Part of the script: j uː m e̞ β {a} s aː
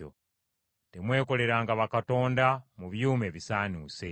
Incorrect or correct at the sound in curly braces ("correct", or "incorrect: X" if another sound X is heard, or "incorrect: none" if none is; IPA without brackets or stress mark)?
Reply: incorrect: i